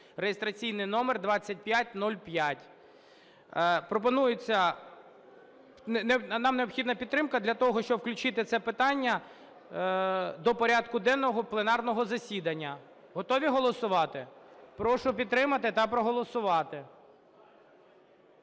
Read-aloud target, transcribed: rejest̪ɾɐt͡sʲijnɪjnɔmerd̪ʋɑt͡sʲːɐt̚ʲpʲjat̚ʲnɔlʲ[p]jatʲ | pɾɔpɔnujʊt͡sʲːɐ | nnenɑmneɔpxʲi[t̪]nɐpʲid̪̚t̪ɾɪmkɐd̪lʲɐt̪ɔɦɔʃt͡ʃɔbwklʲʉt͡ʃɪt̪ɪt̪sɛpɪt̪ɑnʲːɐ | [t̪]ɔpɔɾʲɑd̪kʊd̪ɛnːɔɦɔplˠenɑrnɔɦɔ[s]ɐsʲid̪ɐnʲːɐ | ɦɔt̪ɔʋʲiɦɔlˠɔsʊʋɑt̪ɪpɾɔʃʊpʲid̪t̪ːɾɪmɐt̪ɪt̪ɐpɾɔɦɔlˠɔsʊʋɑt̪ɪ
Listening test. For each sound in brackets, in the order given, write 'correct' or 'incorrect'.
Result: correct, incorrect: d̪, incorrect: d̪, incorrect: z

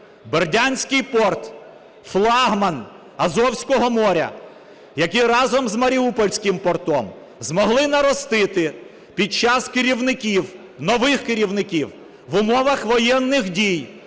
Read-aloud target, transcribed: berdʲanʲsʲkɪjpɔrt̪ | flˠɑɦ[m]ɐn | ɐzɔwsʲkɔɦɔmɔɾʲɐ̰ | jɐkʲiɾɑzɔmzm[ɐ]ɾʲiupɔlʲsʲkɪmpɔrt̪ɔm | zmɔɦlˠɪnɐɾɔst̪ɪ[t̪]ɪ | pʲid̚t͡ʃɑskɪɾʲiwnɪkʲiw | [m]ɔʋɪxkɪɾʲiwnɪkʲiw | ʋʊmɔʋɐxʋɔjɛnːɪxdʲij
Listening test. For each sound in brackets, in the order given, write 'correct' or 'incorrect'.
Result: correct, correct, correct, incorrect: n

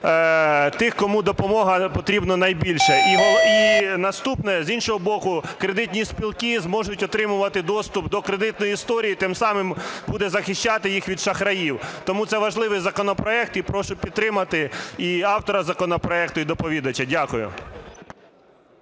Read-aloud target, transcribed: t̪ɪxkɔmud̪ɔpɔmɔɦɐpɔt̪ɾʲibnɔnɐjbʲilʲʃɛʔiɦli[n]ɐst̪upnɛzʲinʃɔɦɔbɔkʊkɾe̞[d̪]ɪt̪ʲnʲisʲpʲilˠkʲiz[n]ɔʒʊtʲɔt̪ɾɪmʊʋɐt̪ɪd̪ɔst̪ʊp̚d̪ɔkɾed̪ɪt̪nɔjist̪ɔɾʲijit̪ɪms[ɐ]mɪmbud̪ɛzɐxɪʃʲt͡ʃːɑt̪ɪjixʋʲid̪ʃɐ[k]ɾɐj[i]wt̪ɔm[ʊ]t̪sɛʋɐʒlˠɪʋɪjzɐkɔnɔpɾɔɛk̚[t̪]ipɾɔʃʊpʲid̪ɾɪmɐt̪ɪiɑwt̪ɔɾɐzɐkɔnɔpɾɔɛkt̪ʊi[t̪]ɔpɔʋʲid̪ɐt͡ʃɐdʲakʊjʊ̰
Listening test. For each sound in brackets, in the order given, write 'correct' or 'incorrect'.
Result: correct, correct, incorrect: m, incorrect: ɑ, incorrect: x, correct, incorrect: u, correct, incorrect: d̪

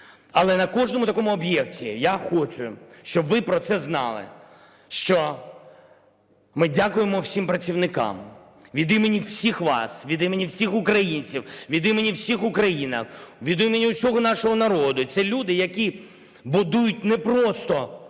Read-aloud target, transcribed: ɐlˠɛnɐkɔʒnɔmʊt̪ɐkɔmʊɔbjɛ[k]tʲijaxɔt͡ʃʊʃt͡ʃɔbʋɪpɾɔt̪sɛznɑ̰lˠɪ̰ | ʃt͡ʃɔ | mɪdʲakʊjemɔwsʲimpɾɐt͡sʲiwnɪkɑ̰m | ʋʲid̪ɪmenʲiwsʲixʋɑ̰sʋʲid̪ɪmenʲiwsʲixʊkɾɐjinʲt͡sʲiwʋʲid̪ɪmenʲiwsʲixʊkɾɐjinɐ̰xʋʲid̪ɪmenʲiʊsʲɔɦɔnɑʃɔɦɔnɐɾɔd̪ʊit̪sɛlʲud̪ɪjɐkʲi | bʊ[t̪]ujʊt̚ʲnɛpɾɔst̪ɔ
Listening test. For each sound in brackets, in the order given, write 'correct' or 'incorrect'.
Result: correct, incorrect: d̪

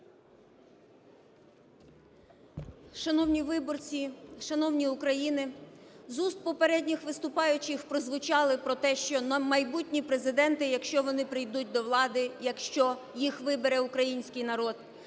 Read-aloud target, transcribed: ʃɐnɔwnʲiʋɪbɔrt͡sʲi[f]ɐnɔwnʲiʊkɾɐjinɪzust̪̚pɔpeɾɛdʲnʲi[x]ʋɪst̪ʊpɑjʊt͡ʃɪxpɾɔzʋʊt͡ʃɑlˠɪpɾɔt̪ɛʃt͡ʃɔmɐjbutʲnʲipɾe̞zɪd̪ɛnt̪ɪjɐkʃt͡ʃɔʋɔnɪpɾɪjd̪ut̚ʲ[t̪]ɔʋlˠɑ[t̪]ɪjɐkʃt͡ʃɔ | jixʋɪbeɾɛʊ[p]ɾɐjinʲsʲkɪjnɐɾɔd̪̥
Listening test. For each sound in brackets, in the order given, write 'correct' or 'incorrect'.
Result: incorrect: ʃ, correct, incorrect: d̪, incorrect: d̪, incorrect: k

